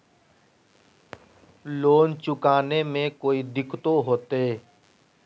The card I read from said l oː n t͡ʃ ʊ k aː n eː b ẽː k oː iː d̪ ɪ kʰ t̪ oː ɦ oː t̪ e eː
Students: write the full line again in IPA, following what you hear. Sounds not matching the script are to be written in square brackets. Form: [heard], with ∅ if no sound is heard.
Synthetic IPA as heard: l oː n t͡ʃ ʊ k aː n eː [m] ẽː k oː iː d̪ ɪ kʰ t̪ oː ɦ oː t̪ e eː